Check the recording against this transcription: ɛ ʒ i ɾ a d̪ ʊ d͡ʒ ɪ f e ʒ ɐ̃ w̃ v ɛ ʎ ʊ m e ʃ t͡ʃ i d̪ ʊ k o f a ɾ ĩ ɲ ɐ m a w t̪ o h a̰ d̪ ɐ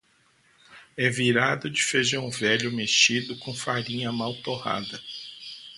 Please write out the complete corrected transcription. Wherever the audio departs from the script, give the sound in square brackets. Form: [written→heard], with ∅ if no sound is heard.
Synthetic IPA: ɛ [ʒ→v] i ɾ a d̪ ʊ d͡ʒ ɪ f e ʒ ɐ̃ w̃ v ɛ ʎ ʊ m e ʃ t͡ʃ i d̪ ʊ k [o→õ] f a ɾ ĩ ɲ ɐ m a w t̪ o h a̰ d̪ ɐ